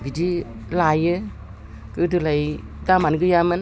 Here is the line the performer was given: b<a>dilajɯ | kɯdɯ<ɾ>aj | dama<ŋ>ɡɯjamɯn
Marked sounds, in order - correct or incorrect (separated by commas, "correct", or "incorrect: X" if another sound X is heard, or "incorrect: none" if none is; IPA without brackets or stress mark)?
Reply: incorrect: i, incorrect: l, incorrect: n